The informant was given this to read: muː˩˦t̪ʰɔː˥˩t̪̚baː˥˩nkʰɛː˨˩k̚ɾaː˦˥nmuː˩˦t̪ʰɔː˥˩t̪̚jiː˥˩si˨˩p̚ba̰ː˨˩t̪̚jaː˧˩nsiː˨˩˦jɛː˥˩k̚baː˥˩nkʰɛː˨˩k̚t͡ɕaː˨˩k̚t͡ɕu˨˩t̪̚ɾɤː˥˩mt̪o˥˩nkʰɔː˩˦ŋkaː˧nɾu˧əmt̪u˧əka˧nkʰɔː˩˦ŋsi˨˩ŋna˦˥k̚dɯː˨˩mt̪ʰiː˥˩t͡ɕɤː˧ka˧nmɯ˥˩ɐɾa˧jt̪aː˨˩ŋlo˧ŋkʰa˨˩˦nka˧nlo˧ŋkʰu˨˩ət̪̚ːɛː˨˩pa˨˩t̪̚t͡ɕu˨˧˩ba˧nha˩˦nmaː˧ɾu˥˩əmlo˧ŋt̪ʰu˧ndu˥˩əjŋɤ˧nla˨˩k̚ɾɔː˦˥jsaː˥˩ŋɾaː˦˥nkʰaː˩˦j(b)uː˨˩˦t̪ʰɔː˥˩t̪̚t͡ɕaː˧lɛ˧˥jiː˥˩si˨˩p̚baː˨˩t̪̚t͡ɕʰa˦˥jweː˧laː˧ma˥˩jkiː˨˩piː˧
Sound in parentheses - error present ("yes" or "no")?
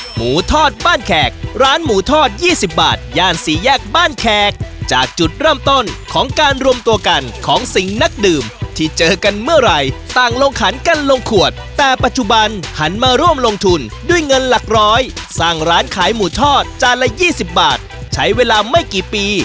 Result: yes